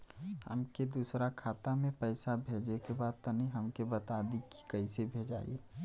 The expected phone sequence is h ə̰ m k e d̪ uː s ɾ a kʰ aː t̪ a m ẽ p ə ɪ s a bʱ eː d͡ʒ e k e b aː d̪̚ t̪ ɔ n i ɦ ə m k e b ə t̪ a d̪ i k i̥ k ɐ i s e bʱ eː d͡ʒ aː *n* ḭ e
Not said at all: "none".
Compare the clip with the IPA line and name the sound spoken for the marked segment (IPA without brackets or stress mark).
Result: none